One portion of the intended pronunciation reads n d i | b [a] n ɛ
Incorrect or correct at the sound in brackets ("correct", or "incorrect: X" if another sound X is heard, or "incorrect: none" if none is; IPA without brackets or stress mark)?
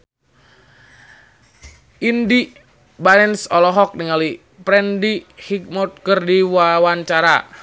correct